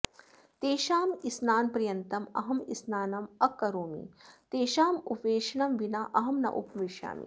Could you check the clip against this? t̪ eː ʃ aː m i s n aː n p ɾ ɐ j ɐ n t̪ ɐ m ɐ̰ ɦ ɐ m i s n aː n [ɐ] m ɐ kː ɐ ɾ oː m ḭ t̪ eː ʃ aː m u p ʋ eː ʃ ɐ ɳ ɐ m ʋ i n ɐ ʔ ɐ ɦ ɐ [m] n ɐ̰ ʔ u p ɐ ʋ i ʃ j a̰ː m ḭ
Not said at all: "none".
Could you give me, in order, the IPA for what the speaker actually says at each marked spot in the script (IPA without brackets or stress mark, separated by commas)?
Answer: ɐ, m